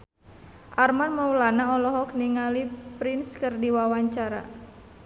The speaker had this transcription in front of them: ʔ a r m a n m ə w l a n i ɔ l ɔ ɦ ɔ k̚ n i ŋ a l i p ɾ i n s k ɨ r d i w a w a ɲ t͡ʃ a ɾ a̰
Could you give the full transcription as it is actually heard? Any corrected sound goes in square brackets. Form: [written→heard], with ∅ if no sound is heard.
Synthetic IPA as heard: ʔ a r m a n m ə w l a n [i→a] ɔ l ɔ ɦ ɔ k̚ n i ŋ a l i p ɾ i n s k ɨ r d i w a w a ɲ t͡ʃ a ɾ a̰